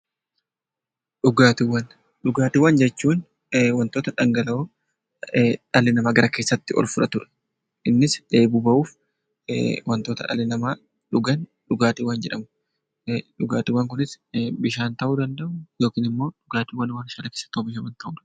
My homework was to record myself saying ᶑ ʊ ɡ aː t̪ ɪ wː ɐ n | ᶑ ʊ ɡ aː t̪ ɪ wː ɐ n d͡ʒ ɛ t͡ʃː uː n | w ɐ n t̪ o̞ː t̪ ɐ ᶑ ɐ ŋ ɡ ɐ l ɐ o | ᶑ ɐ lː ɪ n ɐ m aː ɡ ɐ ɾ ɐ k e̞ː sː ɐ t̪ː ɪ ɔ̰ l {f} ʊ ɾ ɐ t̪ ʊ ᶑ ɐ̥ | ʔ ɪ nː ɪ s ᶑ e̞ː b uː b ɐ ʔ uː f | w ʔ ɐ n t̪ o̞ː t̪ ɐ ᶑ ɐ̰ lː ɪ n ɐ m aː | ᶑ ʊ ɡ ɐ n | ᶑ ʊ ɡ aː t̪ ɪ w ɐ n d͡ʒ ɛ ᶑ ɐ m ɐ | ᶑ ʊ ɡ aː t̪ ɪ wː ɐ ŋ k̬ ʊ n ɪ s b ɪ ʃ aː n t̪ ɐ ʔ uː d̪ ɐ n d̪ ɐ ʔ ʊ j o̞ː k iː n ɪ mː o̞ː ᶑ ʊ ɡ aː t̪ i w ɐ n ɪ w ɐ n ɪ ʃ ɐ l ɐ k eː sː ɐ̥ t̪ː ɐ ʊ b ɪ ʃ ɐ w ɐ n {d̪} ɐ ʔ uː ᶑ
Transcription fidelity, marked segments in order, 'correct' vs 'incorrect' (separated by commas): correct, incorrect